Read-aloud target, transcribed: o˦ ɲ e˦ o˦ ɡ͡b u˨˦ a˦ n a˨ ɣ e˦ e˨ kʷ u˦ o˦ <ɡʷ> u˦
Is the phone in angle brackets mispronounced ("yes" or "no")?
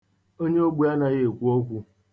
yes